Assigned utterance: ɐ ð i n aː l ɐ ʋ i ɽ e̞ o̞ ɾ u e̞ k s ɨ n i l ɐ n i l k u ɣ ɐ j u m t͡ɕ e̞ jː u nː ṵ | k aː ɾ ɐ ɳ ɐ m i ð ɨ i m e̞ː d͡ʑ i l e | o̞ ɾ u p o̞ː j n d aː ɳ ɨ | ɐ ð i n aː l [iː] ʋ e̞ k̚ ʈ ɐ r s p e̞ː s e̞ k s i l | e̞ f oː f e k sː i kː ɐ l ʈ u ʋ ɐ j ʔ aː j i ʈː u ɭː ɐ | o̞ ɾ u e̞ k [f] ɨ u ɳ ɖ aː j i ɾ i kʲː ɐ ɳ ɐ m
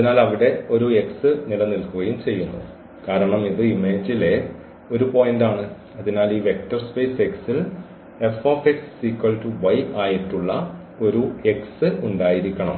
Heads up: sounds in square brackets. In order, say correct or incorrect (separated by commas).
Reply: correct, incorrect